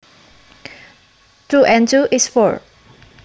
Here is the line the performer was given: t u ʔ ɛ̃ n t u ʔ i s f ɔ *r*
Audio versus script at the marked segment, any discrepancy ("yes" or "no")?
yes